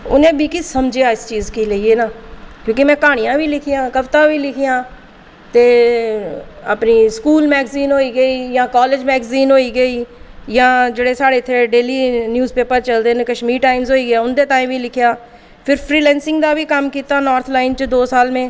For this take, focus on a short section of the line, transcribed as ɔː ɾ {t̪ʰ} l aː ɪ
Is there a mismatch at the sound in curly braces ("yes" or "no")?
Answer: no